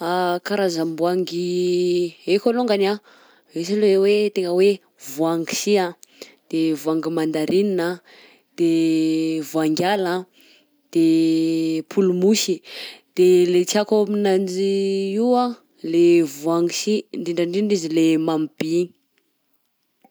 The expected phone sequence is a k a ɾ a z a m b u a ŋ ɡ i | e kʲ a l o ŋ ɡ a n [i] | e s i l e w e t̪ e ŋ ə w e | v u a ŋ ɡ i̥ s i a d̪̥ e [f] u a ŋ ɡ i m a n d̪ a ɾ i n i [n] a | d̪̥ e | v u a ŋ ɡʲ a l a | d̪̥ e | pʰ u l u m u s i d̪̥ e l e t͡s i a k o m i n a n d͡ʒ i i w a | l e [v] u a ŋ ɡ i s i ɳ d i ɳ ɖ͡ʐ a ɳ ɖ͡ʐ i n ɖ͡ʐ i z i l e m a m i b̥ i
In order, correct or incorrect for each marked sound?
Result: incorrect, incorrect, correct, correct

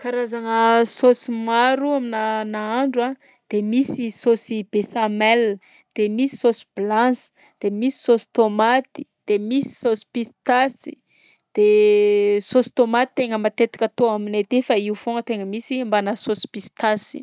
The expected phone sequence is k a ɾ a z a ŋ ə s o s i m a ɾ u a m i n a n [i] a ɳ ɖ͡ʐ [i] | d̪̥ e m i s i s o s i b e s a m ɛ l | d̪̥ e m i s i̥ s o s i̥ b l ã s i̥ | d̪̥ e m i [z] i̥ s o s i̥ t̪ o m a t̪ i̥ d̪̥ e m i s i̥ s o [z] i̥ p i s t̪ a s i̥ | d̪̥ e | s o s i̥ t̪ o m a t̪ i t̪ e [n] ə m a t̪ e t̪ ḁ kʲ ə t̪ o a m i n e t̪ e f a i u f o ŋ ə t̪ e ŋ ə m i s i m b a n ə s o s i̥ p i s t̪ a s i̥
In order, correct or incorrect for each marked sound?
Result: incorrect, incorrect, incorrect, incorrect, incorrect

